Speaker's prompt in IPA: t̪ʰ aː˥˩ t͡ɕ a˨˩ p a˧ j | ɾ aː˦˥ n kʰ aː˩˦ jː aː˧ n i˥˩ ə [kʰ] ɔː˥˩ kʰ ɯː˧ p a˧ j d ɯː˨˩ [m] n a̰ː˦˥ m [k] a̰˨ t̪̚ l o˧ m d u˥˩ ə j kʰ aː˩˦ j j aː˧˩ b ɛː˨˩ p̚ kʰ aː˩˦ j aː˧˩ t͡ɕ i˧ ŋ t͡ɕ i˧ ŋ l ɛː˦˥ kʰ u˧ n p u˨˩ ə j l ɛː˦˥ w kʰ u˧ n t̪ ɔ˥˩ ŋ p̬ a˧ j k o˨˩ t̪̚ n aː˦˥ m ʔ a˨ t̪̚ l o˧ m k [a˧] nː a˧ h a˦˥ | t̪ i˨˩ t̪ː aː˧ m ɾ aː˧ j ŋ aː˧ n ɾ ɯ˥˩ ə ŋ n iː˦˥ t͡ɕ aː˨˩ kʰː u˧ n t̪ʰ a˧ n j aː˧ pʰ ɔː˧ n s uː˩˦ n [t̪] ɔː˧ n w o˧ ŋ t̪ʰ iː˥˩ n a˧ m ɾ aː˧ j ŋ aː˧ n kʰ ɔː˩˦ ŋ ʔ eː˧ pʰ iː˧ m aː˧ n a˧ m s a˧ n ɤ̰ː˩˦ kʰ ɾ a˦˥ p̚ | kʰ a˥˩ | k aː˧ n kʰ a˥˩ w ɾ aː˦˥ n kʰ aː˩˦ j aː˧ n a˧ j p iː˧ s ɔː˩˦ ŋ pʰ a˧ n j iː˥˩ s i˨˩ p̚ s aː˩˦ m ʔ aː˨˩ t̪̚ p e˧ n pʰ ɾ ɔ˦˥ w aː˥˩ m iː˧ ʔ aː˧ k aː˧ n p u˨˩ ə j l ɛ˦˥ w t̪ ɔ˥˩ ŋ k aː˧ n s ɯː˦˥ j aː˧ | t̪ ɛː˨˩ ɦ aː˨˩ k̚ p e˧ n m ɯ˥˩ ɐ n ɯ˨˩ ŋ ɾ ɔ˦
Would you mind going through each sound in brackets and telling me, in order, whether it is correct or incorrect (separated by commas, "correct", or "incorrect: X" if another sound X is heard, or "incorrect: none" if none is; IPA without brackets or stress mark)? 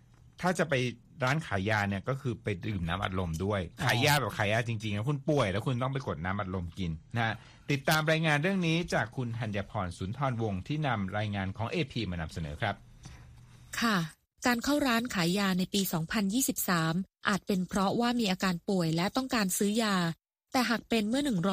incorrect: k, correct, incorrect: ʔ, incorrect: i˧, incorrect: t̪ʰ